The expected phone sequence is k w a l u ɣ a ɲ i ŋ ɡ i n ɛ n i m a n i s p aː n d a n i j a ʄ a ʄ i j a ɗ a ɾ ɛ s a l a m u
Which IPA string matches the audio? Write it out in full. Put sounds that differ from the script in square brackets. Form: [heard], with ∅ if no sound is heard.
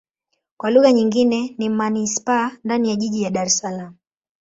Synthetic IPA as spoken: k w a l u ɣ a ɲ i ŋ ɡ i n ɛ n i m a n i s p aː n d a n i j a ʄ [i] ʄ i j a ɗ a ɾ ɛ s a l a m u